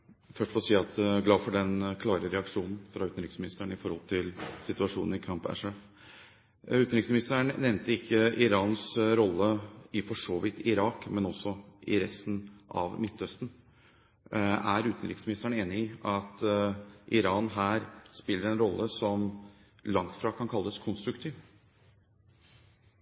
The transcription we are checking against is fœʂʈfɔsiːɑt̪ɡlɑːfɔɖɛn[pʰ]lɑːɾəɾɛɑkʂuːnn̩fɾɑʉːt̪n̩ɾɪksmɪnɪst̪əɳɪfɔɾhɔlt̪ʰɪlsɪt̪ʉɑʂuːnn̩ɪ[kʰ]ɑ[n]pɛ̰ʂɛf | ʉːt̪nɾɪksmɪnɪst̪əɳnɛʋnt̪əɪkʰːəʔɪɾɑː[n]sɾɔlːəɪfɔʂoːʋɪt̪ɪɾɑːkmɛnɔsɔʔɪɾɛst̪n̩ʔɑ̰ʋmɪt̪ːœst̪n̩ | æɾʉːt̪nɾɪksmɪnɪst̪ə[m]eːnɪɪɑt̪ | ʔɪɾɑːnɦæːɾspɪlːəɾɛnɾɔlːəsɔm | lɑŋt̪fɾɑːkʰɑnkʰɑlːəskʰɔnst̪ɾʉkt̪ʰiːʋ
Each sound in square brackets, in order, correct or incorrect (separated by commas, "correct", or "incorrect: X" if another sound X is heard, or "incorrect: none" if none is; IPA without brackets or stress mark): incorrect: kʰ, correct, incorrect: m, correct, incorrect: ɳ